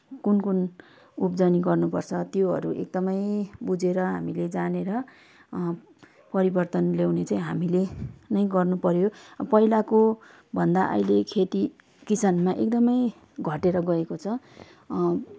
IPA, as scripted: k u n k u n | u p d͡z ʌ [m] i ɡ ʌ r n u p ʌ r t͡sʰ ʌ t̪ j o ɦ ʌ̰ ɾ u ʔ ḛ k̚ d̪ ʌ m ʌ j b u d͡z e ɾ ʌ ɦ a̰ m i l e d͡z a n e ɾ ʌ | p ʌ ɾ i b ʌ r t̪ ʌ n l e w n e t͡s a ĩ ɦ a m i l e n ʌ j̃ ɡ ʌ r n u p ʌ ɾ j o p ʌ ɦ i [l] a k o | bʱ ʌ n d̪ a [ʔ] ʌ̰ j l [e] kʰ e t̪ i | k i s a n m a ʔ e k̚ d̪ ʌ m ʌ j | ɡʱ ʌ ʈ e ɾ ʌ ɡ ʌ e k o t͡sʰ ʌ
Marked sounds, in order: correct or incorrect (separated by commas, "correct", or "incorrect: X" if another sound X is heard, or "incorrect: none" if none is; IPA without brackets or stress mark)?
incorrect: n, correct, correct, correct